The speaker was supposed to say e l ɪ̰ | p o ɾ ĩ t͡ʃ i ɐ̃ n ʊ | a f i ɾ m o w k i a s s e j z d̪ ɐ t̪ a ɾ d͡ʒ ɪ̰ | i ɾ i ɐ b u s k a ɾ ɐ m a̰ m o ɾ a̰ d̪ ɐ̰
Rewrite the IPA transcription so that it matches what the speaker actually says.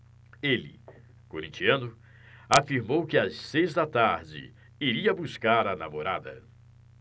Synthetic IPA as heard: e l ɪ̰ | k o ɾ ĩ t͡ʃ i ɐ̃ n ʊ | a f i ɾ m o w k ɪ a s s e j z d̪ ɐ t̪ a ɾ d͡ʒ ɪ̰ | i ɾ i ɐ b u s k a ɾ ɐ n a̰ m o ɾ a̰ d̪ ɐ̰